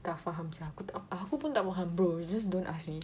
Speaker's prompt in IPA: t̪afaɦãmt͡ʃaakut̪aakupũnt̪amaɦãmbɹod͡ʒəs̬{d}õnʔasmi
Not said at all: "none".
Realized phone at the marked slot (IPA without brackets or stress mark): d